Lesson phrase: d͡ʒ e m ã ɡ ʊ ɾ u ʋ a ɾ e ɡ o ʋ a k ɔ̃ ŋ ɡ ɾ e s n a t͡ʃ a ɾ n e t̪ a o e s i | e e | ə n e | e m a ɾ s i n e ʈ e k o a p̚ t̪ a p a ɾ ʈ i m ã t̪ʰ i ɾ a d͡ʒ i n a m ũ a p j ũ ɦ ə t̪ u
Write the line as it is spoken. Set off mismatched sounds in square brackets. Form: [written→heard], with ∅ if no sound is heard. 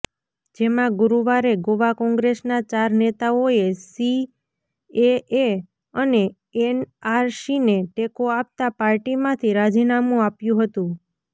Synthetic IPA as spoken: d͡ʒ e m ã ɡ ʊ ɾ u ʋ a ɾ e ɡ o ʋ a k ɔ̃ ŋ ɡ ɾ e s n a t͡ʃ a ɾ n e t̪ a o e s i | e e | ə n e | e [m→n] a ɾ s i n e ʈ e k o a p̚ t̪ a p a ɾ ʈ i m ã t̪ʰ i ɾ a d͡ʒ i n a m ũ a p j ũ ɦ ə t̪ [u→ũ]